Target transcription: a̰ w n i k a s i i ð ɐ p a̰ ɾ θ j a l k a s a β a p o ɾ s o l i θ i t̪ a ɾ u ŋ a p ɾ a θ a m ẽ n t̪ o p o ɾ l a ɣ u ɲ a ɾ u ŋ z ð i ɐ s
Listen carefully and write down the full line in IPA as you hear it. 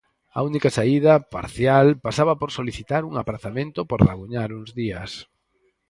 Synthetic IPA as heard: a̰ u n i k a s a i ð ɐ p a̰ ɾ θ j a l p a s a β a p o ɾ s o l i θ i t̪ a ɾ u ŋ a p ɾ a θ a m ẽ n t̪ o p o ɾ l a ɣ u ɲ a ɾ u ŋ z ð i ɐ s